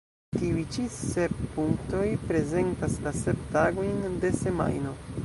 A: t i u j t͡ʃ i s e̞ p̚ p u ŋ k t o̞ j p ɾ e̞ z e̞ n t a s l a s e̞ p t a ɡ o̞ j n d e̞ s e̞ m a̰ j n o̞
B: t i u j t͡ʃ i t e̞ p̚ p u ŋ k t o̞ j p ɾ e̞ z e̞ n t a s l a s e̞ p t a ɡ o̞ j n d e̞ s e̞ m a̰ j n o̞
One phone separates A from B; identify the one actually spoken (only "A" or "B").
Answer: A